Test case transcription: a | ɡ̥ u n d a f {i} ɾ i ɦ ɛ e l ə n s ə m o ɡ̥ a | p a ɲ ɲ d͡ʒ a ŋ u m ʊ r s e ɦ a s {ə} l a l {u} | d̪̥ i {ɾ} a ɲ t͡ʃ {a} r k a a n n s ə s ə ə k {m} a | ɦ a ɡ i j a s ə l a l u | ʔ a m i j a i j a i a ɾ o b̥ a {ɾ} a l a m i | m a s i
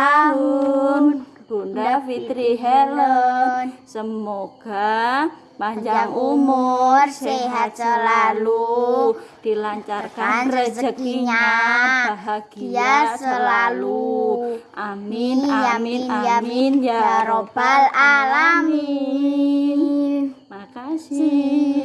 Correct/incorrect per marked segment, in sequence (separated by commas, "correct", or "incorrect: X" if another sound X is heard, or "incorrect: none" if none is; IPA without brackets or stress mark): correct, correct, correct, incorrect: l, correct, incorrect: ɲ, incorrect: l